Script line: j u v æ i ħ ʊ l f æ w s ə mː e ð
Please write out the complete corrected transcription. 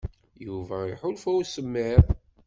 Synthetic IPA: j u v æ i ħ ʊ l f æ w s ə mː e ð